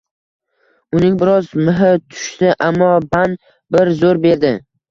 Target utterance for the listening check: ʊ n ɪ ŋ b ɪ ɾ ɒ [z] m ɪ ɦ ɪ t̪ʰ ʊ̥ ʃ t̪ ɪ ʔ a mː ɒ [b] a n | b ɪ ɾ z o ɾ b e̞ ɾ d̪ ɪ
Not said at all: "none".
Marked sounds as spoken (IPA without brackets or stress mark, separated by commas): z, b